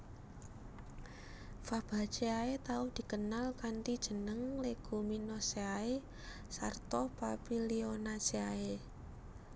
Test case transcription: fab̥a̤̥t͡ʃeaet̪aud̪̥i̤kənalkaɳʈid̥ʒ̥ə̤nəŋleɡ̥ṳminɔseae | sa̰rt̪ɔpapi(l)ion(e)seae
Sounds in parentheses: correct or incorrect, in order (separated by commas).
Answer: correct, incorrect